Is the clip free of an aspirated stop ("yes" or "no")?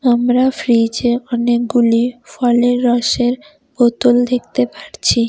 no